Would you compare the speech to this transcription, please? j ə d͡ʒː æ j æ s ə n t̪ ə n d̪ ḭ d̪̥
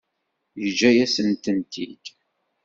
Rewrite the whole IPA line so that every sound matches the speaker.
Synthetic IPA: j ə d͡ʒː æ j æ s ə n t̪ ə n t̪ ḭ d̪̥

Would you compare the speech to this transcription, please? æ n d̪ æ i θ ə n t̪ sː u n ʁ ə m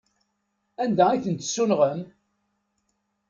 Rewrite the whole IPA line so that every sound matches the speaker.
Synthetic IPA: æ n d̪ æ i θ ə n t̪ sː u n ʁ ə m

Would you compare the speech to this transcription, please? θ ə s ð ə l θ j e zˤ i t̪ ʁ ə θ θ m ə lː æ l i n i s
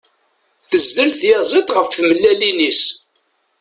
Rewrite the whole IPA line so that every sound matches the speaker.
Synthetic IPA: θ ə z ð ə l θ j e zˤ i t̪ ʁ ə f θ m ə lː æ l i n i s

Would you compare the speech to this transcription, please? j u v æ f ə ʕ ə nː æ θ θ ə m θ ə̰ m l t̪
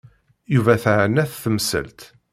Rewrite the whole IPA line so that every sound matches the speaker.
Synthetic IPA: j u v æ θ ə ʕ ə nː æ θ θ ə m s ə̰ l t̪

